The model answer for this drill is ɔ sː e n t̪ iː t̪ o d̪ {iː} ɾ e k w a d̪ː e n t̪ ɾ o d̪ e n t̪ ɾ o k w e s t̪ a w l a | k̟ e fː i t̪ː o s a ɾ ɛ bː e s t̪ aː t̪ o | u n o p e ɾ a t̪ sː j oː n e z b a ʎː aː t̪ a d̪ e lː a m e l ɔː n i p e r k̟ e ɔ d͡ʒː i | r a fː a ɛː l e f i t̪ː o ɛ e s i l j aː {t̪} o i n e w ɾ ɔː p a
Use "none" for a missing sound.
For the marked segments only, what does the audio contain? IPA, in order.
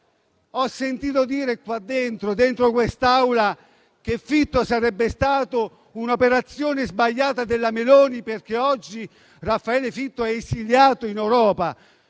iː, t̪

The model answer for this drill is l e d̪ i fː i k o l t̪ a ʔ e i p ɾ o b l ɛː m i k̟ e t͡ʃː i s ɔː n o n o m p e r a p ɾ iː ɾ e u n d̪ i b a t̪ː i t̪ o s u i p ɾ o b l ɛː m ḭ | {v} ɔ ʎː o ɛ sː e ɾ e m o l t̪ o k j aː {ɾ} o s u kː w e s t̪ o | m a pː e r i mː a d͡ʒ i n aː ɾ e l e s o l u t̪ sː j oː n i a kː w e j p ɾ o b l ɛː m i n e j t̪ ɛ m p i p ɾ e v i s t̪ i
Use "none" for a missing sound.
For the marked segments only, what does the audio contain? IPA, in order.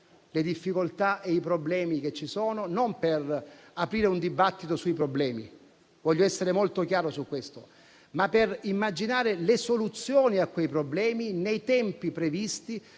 v, ɾ

